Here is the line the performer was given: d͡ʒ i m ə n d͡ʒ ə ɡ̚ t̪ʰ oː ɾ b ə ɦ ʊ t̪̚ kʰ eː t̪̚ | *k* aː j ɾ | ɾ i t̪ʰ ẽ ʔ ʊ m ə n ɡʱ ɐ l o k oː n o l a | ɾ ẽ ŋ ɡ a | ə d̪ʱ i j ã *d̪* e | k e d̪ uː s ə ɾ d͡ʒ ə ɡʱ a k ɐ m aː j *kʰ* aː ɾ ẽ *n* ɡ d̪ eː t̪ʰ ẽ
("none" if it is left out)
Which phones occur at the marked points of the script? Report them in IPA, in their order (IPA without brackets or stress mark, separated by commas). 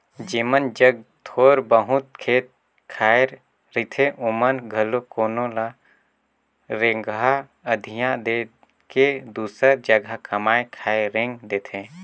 kʰ, d̪, kʰ, ŋ